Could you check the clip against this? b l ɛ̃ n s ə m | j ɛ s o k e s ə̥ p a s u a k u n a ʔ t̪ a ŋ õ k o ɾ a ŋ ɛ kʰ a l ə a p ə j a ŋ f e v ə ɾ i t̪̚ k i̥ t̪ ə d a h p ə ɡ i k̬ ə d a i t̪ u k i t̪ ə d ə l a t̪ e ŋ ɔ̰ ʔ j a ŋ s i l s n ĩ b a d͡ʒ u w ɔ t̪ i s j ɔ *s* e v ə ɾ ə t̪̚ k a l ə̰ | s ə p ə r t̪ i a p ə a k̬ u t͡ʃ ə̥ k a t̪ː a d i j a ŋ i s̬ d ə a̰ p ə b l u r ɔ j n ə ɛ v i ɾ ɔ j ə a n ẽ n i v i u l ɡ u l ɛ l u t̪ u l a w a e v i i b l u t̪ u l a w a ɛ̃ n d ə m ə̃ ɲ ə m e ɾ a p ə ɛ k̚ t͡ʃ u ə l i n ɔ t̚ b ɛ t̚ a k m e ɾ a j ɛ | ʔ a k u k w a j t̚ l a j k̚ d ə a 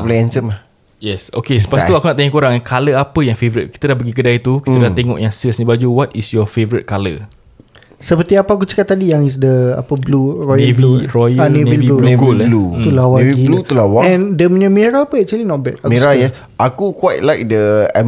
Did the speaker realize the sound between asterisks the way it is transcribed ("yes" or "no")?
no